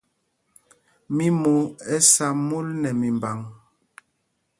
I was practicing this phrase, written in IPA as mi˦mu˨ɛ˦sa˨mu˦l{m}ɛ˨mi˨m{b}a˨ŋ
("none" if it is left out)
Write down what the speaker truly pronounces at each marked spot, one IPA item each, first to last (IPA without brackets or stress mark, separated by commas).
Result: n, b